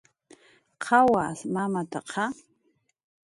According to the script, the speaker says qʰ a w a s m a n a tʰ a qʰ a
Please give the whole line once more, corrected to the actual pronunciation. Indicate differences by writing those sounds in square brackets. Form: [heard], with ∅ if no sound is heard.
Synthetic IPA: qʰ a w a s m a [m] a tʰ a qʰ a